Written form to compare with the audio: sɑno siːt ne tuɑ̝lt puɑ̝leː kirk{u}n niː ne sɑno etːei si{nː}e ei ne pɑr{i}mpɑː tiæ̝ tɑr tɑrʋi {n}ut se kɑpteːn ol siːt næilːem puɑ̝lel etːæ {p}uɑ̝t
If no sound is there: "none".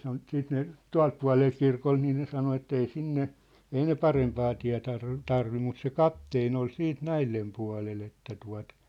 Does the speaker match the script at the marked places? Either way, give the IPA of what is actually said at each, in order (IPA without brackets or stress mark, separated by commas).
o, nː, e, m, t